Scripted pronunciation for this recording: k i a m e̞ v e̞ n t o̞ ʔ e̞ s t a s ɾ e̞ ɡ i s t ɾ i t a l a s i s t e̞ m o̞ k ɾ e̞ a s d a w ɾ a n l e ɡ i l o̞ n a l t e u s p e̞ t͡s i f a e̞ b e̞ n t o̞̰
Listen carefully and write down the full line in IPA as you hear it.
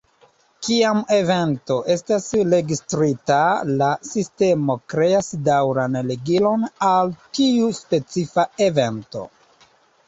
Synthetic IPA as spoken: k i a m e̞ v e̞ n t o̞ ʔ e̞ s t a s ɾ e̞ ɡ i s t ɾ i t a l a s i s t e̞ m o̞ k ɾ e̞ a s d a w ɾ a n l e ɡ i l o̞ n a l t i u s p e̞ t͡s i f a e̞ v e̞ n t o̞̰

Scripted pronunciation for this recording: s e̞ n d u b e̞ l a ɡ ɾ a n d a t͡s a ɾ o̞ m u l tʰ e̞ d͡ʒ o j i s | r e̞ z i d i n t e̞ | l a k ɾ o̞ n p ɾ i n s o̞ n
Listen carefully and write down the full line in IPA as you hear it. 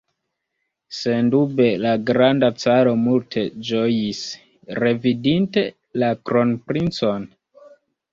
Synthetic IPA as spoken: s e̞ n d u b e̞ l a ɡ ɾ a n d a t͡s a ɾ o̞ m u l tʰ e̞ d͡ʒ o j i s | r e̞ v i d i n t e̞ | l a k ɾ o̞ n p ɾ i n t͡s o̞ n

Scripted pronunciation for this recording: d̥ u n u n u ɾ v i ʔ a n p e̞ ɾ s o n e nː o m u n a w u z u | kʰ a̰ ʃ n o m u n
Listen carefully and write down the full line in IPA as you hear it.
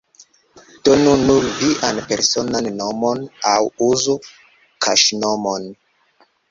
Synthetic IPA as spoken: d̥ o n u n u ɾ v i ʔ a n p e̞ ɾ s o n a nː o m o n a w u z u | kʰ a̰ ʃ n o m o n

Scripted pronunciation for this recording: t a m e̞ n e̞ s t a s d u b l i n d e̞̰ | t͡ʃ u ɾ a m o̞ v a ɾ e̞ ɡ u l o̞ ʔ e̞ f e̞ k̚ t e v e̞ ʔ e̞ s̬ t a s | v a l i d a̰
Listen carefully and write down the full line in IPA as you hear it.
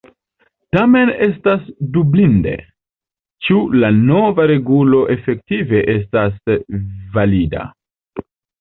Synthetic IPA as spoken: t a m e̞ n e̞ s t a s d u b l i n d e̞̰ | t͡ʃ u l a n o̞ v a ɾ e̞ ɡ u l o̞ ʔ e̞ f e̞ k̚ t i v e̞ ʔ e̞ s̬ t a s | v a l i d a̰

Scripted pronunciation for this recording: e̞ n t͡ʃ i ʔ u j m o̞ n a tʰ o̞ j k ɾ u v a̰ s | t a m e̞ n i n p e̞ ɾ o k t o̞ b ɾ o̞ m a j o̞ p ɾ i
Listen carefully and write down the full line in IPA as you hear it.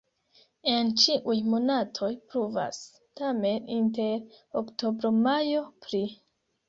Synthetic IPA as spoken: e̞ n t͡ʃ i ʔ u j m o̞ n a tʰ o̞ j p ɾ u v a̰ s | t a m e̞ n i n t e̞ ɾ o k t o̞ b ɾ o̞ m a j o̞ p ɾ i

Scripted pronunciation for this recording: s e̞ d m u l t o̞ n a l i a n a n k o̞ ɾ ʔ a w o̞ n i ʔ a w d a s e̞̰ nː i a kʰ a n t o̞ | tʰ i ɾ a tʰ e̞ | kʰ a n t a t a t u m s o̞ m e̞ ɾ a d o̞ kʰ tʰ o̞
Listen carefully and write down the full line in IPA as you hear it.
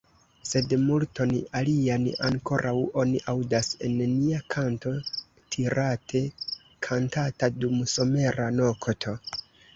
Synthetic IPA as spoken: s e̞ d m u l t o̞ n a l i a n a ŋ k o̞ ɾ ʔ a w o̞ n i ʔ a w d a s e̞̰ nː i a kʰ a n t o̞ | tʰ i ɾ a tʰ e̞ | kʰ a n t a t a d u m s o̞ m e̞ ɾ a n o̞ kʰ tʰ o̞

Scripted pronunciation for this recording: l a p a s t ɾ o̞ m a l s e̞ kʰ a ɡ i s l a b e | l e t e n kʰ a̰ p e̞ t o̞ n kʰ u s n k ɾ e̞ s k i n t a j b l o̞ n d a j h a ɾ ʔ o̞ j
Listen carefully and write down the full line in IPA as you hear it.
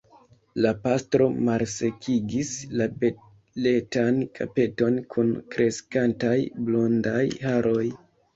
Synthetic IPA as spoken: l a p a s t ɾ o̞ m a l s e̞ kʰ i ɡ i s l a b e | l e t a n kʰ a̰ p e̞ t o̞ n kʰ u n k ɾ e̞ s k a n t a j b l o̞ n d a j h a ɾ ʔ o̞ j

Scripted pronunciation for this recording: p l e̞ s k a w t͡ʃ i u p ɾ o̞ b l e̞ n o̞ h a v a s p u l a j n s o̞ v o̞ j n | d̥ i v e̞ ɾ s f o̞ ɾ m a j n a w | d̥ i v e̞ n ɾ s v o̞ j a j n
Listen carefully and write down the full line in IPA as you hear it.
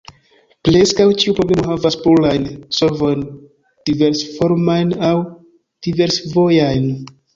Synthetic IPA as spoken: p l e̞ s k a w t͡ʃ i u p ɾ o̞ b l e̞ m o̞ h a v a s p u l a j n s o̞ v o̞ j n | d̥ i v e̞ ɾ s f o̞ ɾ m a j n a w | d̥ i v e̞ ɾ s v o̞ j a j n

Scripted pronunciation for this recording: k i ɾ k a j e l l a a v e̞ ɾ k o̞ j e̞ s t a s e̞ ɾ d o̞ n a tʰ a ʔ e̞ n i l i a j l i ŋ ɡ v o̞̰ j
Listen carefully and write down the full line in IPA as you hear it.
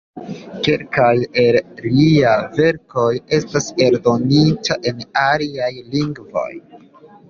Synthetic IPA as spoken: k e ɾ k a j e l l i a v e̞ ɾ k o̞ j e̞ s t a s e̞ ɾ d o̞ n i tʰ a ʔ e̞ n a l i a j l i ŋ ɡ v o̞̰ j

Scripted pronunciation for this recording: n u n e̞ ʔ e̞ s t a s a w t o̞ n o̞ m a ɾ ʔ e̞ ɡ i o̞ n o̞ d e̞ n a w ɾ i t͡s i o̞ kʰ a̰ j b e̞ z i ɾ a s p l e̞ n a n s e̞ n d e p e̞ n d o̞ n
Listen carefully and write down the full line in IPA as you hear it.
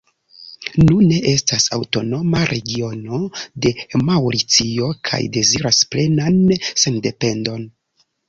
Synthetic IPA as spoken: n u n e̞ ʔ e̞ s t a s a w t o̞ n o̞ m a ɾ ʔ e̞ ɡ i o̞ n o̞ d e̞ m a w ɾ i t͡s i o̞ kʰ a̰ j d e̞ z i ɾ a s p l e̞ n a n s e̞ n d e p e̞ n d o̞ n

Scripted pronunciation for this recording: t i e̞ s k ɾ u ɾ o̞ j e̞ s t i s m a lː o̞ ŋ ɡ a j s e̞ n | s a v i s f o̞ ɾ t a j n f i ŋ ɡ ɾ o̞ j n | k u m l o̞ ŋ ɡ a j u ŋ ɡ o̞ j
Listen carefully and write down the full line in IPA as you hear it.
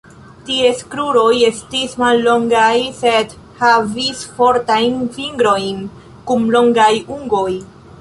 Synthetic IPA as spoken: t i e̞ s k ɾ u ɾ o̞ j e̞ s t i s m a lː o̞ ŋ ɡ a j s e̞ d | h a v i s f o̞ ɾ t a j n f i ŋ ɡ ɾ o̞ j n | k u m l o̞ ŋ ɡ a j u ŋ ɡ o̞ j

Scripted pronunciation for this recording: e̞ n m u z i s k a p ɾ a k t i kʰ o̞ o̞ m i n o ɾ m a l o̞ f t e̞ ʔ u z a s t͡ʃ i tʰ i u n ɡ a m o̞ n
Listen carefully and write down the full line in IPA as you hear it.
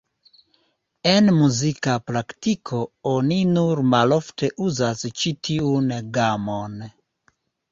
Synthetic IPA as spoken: e̞ n m u z i k a p ɾ a k t i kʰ o̞ o̞ n i n u ɾ m a l o̞ f t e̞ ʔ u z a s t͡ʃ i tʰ i u n ɡ a m o̞ n

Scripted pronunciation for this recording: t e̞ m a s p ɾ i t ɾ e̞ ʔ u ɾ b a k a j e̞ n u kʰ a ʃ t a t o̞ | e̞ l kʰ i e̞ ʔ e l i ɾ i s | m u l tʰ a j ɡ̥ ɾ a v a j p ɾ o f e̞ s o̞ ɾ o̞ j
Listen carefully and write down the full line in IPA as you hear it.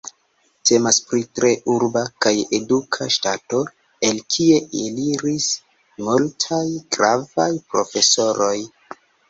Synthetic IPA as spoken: t e̞ m a s p ɾ i t ɾ e̞ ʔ u ɾ b a k a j e̞ d u kʰ a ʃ t a t o̞ | e̞ l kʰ i e̞ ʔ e l i ɾ i s | m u l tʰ a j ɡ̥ ɾ a v a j p ɾ o f e̞ s o̞ ɾ o̞ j

